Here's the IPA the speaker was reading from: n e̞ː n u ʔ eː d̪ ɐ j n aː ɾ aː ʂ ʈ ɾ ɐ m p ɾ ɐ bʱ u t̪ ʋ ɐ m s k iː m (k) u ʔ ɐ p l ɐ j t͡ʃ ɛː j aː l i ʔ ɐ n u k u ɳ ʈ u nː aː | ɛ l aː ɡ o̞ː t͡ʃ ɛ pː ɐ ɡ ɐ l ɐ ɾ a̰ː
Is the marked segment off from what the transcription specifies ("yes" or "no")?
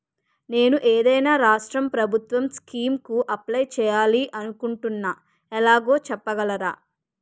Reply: no